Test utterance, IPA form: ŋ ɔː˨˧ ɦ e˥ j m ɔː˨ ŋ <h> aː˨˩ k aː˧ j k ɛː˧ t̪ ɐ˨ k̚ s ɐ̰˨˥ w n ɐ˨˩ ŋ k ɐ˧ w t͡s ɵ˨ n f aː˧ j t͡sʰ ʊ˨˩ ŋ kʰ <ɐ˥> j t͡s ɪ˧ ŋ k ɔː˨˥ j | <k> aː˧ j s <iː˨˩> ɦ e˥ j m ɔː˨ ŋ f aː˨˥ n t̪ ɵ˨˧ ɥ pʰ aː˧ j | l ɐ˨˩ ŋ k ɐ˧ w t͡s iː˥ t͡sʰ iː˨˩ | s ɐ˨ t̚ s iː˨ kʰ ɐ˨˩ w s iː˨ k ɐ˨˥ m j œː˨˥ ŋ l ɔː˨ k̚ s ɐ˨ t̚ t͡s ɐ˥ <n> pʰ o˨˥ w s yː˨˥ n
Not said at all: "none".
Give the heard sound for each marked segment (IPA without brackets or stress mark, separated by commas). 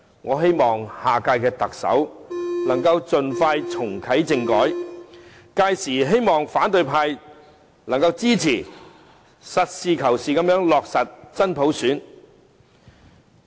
h, ɐ˨˥, k, iː˨˩, n